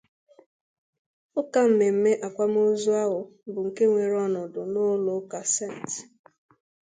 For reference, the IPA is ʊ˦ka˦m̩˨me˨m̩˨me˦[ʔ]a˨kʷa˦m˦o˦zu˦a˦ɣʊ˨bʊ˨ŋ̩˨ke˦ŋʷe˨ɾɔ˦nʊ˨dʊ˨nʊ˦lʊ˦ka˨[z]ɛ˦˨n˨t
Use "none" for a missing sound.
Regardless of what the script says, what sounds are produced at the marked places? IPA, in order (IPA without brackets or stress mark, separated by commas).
ʔ, s